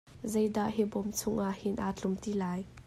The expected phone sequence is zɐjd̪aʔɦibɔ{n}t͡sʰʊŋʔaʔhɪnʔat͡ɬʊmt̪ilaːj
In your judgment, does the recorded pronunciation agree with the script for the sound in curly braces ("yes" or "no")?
no